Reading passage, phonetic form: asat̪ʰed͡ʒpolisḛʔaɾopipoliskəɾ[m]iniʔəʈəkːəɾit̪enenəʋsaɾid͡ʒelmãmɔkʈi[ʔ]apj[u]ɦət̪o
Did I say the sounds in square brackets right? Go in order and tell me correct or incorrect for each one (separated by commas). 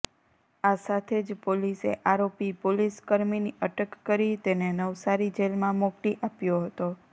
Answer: correct, correct, incorrect